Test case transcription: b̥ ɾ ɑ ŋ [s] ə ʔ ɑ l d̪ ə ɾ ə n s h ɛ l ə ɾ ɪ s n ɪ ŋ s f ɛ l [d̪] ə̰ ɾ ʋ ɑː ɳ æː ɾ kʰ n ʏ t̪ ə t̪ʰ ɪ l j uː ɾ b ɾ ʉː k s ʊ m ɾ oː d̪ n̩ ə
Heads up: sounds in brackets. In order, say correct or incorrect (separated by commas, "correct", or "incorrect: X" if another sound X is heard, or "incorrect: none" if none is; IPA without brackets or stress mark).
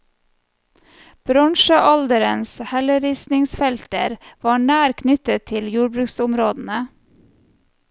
incorrect: ʃ, incorrect: t̪